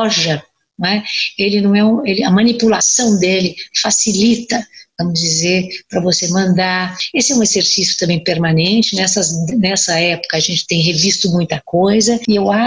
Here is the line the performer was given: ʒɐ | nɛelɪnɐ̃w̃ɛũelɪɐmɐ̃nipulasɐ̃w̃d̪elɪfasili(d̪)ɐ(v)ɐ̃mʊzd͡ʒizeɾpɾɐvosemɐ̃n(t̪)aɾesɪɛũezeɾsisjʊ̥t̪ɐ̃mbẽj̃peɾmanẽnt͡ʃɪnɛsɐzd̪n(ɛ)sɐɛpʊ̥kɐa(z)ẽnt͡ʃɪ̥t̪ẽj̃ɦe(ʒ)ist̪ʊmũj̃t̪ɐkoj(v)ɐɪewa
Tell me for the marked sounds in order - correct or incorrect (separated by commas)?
incorrect, correct, incorrect, correct, incorrect, incorrect, incorrect